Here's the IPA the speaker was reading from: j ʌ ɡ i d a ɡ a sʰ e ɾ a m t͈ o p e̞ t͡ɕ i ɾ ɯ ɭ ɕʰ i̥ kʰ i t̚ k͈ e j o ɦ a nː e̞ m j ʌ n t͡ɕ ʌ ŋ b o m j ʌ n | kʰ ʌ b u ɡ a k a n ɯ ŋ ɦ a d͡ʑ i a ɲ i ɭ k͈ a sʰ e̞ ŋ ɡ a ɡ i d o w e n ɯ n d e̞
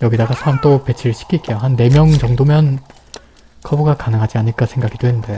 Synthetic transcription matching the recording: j ʌ ɡ i d a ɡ a sʰ a ɾ a m t͈ o p e̞ t͡ɕʰ i ɾ ɯ ɭ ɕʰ i̥ kʰ i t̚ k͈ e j o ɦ a nː e̞ m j ʌ ŋ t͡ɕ ʌ ŋ d o m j ʌ n | kʰ ʌ b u ɡ a k a n ɯ ŋ ɦ a d͡ʑ i a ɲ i ɭ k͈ a sʰ e̞ ŋ ɡ a ɡ i d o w e n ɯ n d e̞